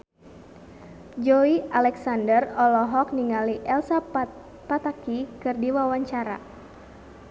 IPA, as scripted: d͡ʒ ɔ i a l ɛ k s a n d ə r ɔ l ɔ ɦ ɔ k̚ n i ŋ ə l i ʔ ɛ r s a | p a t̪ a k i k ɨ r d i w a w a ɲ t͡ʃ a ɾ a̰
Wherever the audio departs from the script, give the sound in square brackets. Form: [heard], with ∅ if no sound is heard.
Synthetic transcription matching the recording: d͡ʒ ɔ i a l ɛ k s a n d ə r ɔ l ɔ ɦ ɔ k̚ n i ŋ [a] l i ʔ ɛ [l] s a | p a t̪ a k i k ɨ r d i w a w a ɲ t͡ʃ a ɾ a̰